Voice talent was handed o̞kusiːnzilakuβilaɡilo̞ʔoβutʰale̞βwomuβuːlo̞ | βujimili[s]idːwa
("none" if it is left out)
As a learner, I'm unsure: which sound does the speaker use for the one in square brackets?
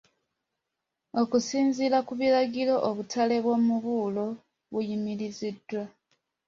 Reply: z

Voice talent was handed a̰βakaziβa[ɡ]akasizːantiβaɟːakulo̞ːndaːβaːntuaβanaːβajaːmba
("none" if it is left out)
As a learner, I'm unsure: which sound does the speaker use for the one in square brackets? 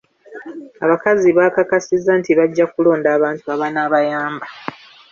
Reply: k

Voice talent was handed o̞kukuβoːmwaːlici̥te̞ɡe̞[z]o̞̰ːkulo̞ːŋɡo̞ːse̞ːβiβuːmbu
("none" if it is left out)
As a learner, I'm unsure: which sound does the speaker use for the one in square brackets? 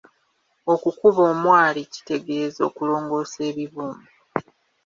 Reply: z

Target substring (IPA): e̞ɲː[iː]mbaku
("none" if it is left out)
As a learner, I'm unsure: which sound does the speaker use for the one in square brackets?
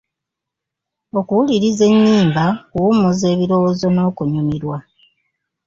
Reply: iː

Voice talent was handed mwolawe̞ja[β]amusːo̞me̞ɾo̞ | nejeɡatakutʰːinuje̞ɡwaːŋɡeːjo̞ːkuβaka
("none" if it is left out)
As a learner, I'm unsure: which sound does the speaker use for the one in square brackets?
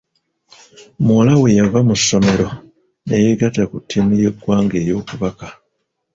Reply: v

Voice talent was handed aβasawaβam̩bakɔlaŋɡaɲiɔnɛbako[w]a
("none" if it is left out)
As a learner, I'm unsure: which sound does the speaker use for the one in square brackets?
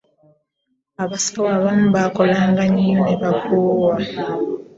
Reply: w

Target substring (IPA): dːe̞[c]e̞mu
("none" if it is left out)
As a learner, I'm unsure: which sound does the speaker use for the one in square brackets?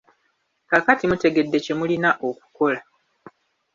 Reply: c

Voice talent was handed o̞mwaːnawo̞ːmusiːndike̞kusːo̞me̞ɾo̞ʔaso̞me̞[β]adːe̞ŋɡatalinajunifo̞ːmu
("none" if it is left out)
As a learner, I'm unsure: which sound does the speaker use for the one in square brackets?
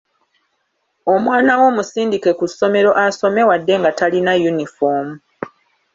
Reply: w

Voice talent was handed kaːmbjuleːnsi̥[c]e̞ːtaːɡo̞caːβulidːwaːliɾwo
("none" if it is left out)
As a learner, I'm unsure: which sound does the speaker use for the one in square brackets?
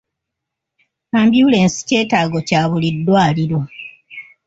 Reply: c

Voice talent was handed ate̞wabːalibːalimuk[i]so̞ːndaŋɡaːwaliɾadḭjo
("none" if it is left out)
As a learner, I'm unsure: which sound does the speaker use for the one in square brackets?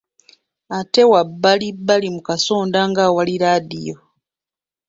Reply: a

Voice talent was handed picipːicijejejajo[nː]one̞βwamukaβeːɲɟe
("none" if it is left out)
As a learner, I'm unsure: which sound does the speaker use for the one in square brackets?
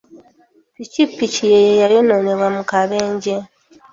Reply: n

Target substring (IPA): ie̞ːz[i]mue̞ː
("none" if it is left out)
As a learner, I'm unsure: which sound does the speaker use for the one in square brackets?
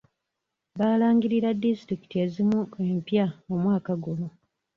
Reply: i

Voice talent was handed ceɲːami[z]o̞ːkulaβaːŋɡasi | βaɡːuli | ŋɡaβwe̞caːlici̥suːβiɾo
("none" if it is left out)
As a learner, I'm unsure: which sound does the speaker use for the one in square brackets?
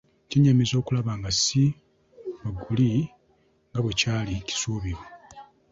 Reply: z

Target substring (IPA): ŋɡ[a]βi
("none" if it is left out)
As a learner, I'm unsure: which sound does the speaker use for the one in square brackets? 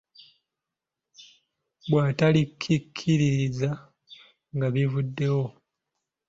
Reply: a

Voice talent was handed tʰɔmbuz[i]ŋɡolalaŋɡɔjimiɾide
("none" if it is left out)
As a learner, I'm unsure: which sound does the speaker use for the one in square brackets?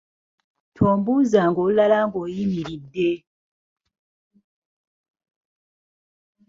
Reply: a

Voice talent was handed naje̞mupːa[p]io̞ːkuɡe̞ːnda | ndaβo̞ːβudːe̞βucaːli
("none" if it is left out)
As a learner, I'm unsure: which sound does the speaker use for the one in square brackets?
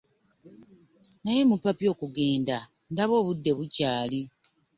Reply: p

